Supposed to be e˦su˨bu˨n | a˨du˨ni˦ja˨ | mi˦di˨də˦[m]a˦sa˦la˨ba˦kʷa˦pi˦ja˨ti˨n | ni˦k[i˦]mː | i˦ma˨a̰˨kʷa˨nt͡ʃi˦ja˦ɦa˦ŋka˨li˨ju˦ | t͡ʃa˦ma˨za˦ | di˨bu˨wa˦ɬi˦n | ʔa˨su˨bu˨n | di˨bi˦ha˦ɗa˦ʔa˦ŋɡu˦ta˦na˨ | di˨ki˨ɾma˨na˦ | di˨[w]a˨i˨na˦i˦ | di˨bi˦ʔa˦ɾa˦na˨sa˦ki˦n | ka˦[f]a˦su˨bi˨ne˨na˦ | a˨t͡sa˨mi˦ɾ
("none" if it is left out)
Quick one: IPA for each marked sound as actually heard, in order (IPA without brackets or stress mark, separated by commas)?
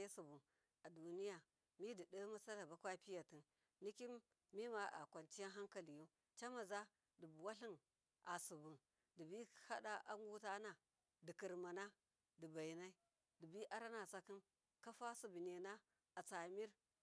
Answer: m, i˦, b, f